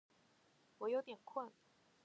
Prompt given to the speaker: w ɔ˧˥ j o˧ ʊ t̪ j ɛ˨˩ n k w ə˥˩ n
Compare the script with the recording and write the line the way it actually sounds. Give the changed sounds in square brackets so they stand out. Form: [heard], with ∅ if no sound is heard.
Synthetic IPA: w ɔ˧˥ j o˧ ʊ t̪ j ɛ˨˩ n [kʰ] w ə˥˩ n

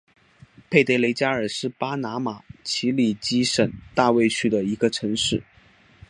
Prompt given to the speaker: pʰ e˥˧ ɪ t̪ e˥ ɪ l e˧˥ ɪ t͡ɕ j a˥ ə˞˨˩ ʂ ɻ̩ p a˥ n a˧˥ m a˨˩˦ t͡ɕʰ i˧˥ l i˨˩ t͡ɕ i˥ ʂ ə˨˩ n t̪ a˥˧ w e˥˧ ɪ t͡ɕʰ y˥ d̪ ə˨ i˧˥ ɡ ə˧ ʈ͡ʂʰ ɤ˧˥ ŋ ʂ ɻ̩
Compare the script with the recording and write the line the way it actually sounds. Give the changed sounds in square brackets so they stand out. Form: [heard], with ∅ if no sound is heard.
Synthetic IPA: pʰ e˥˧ ɪ t̪ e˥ ɪ l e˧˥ ɪ t͡ɕ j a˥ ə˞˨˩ ʂ ɻ̩ p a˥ n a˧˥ m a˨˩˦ t͡ɕʰ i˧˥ l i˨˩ t͡ɕ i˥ ʂ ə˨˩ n t̪ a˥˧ w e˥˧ ɪ t͡ɕʰ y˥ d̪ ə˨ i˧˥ ɡ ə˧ ʈ͡ʂʰ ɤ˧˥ ŋ ʂ ɻ̩

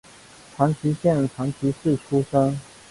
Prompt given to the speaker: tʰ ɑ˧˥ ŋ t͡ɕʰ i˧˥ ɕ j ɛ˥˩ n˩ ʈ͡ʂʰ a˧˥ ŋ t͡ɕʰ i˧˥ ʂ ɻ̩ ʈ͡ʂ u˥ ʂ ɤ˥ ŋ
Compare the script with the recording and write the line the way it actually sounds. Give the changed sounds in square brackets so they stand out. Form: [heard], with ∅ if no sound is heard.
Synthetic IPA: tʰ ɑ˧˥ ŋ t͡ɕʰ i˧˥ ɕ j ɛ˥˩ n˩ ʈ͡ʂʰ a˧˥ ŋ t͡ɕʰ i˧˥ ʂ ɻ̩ [ʈ͡ʂʰ] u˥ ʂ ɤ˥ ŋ

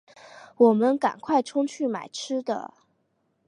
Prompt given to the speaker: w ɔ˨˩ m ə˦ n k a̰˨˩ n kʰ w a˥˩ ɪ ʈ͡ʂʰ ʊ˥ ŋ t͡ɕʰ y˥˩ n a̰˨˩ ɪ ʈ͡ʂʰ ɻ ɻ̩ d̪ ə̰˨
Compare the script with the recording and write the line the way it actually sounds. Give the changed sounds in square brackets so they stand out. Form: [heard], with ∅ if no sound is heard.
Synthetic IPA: w ɔ˨˩ m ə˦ n k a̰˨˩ n kʰ w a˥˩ ɪ ʈ͡ʂʰ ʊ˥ ŋ t͡ɕʰ y˥˩ [m] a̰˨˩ ɪ ʈ͡ʂʰ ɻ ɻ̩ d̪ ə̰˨

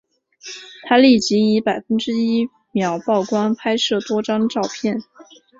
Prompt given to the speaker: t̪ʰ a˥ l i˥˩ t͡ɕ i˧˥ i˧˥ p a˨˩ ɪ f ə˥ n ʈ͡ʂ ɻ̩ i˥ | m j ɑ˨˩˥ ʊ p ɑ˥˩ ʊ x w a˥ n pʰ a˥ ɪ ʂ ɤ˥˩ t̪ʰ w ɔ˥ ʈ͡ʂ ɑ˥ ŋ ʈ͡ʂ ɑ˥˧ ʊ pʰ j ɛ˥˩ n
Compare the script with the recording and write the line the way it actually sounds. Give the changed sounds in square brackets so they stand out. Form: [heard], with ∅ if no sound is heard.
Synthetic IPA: t̪ʰ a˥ l i˥˩ t͡ɕ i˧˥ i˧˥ p a˨˩ ɪ f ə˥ n ʈ͡ʂ ɻ̩ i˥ | m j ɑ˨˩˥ ʊ p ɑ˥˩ ʊ [k] w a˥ n pʰ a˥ ɪ ʂ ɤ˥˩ [t̪] w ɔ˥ ʈ͡ʂ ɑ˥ ŋ ʈ͡ʂ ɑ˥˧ ʊ pʰ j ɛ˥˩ n

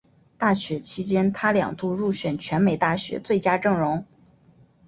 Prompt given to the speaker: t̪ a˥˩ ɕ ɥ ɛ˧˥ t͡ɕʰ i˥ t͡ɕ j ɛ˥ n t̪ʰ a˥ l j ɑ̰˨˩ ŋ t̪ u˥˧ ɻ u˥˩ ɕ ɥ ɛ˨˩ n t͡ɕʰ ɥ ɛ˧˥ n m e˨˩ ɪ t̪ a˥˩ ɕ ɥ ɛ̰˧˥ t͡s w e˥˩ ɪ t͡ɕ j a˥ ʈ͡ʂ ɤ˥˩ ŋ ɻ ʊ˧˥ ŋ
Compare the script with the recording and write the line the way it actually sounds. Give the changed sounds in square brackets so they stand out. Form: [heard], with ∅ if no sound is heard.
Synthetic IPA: t̪ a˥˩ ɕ ɥ ɛ˧˥ t͡ɕʰ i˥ t͡ɕ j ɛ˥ n t̪ʰ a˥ l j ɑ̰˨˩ ŋ t̪ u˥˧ ɻ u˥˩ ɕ ɥ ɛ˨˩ n t͡ɕʰ ɥ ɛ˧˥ n m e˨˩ ɪ t̪ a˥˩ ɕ ɥ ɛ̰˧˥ t͡s w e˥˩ ɪ t͡ɕ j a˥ ʈ͡ʂ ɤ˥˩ ŋ ɻ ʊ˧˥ ŋ

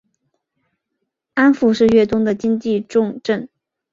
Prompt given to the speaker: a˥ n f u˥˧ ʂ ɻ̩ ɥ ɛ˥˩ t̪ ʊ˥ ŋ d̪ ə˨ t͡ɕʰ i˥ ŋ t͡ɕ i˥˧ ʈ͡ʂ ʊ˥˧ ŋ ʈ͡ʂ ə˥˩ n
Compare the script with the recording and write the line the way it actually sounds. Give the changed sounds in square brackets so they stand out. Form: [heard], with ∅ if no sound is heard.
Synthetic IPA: a˥ n f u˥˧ ʂ ɻ̩ ɥ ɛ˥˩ t̪ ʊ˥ ŋ d̪ ə˨ [t͡ɕ] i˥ ŋ t͡ɕ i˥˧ ʈ͡ʂ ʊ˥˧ ŋ ʈ͡ʂ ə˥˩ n

